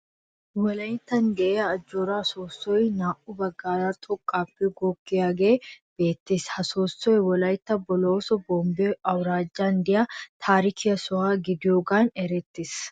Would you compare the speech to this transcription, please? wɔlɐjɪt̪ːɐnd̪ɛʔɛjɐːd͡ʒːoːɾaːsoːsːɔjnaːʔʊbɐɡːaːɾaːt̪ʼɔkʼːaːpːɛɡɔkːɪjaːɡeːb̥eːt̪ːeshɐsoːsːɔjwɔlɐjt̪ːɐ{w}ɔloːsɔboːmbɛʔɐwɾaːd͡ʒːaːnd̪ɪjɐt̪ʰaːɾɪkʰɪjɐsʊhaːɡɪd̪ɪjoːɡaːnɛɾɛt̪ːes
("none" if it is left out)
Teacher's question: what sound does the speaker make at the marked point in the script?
b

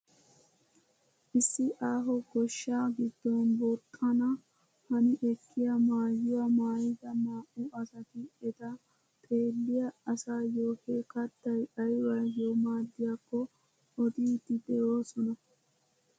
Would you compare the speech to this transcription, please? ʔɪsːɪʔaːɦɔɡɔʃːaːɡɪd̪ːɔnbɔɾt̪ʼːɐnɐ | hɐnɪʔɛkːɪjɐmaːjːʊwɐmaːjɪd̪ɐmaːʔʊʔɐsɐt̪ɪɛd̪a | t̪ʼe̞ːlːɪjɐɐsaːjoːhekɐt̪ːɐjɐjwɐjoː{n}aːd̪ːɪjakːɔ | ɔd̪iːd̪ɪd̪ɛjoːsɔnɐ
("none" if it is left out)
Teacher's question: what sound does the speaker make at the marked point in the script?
m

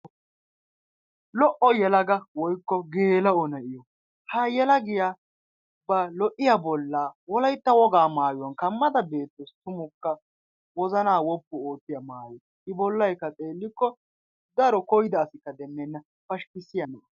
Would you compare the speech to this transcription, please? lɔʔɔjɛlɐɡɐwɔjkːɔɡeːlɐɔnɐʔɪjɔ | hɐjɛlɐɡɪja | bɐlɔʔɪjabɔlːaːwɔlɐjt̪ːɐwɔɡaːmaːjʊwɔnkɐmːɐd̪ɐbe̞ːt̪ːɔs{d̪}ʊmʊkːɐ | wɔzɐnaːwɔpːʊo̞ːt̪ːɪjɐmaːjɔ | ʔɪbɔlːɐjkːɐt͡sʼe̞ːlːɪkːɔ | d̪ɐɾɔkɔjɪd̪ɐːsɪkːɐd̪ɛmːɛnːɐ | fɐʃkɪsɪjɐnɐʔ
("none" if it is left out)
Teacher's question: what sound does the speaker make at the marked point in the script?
t̪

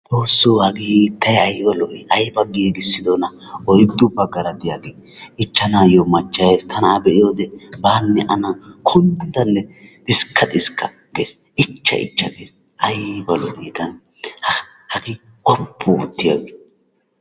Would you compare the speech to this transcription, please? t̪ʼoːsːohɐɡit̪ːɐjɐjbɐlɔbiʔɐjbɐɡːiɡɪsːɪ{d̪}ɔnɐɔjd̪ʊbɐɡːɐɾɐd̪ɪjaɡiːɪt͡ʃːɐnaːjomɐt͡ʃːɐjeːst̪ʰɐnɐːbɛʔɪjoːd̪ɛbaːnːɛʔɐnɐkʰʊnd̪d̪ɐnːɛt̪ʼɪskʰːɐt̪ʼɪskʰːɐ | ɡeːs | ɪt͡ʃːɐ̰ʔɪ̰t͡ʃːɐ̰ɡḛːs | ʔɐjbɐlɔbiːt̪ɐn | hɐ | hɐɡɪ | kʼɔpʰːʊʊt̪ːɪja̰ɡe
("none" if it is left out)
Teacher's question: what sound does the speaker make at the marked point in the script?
d̪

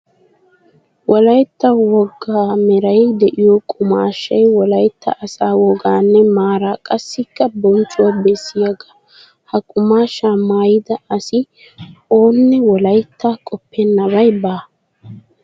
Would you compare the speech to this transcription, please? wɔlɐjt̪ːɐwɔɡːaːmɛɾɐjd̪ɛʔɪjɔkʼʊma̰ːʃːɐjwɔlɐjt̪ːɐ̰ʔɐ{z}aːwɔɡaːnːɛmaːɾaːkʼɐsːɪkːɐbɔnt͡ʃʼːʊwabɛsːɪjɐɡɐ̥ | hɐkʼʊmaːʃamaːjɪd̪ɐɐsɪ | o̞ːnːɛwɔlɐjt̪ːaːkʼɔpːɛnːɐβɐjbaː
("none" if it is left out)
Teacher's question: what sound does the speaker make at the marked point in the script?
s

